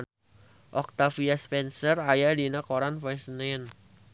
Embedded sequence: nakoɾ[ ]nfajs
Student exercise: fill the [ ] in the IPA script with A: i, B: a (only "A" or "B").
B